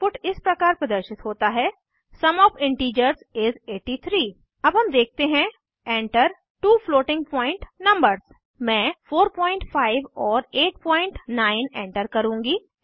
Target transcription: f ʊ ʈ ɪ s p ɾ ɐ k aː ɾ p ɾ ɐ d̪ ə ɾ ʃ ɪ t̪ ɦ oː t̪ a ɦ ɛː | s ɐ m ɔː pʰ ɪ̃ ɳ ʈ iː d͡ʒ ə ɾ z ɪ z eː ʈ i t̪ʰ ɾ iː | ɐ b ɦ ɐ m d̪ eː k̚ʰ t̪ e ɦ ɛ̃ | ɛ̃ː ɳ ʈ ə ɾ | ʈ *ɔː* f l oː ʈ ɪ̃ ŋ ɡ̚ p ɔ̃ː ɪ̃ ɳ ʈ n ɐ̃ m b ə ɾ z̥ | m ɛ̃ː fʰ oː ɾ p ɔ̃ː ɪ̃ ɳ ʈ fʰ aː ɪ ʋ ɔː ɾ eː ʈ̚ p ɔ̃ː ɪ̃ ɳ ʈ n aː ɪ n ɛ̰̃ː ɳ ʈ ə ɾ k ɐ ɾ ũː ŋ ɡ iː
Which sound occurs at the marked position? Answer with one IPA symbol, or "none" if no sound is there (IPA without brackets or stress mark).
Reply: uː